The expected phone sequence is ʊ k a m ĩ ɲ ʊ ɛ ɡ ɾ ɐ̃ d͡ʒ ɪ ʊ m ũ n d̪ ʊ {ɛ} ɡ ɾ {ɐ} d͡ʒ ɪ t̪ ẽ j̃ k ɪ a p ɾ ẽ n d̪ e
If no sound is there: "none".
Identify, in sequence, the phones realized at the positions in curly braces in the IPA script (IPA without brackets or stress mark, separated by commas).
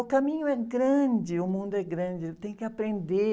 ɛ, ɐ̃